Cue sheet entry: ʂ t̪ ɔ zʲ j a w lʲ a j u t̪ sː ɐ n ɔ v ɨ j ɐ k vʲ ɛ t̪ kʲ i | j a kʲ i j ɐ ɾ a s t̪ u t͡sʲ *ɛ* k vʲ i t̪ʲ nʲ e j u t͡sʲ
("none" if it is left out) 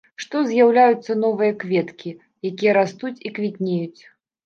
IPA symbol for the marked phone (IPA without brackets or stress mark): i